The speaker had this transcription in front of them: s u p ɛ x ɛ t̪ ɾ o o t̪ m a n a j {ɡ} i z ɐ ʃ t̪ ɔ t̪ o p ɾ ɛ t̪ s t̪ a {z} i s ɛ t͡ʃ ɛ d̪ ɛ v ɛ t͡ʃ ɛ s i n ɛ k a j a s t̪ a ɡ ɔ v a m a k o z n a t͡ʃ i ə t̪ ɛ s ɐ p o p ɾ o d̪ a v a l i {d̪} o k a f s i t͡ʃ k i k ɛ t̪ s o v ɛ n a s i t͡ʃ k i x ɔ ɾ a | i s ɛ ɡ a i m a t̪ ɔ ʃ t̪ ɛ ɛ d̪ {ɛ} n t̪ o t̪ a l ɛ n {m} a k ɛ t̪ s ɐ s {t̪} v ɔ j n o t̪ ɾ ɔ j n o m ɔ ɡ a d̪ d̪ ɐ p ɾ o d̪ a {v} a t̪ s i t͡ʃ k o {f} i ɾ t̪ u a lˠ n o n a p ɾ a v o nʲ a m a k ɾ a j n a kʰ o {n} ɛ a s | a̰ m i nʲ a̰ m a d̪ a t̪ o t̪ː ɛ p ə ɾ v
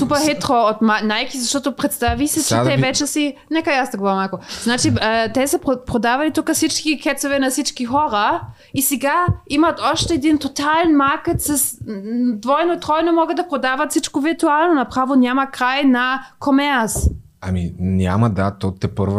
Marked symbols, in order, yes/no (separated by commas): no, no, no, no, yes, no, yes, no, no